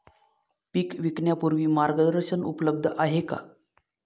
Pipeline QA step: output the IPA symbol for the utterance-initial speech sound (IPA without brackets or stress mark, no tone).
p